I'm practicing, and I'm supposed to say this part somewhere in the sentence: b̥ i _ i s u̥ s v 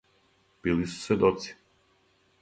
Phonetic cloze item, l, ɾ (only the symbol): l